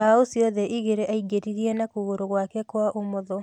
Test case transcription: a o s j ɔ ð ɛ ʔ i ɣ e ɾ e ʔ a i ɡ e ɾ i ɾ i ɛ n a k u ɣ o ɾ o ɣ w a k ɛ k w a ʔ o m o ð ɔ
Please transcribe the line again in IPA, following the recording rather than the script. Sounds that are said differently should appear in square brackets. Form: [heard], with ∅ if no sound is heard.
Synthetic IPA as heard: a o s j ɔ ð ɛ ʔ i ɣ e ɾ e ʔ a i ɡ e ɾ i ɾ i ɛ n a k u ɣ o ɾ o ɣ w a k ɛ k w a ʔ o m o ð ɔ